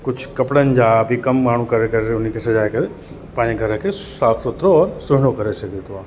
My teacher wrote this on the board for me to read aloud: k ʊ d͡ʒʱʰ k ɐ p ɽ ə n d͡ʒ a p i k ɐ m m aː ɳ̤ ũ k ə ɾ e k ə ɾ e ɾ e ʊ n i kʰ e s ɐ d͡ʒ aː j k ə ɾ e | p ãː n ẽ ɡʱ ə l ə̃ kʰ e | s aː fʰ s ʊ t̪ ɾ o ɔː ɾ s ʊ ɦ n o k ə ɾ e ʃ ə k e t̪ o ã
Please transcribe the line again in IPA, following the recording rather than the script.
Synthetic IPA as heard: k ʊ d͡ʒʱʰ k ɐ p ɽ ə n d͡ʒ a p i k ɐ m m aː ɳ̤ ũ k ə ɾ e k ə ɾ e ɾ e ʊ n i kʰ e s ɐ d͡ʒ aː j k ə ɾ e | p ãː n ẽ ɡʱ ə ɾ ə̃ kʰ e | s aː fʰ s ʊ t̪ ɾ o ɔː ɾ s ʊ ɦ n o k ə ɾ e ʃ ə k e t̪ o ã